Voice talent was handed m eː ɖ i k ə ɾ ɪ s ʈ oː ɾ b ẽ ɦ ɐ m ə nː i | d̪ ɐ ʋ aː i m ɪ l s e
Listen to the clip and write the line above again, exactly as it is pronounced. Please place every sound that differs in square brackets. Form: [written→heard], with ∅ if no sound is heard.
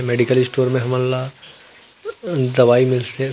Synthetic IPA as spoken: m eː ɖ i k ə [ɾ→l] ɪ s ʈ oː ɾ [b→m] ẽ ɦ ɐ m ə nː [i→a] | d̪ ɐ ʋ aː i m ɪ l s e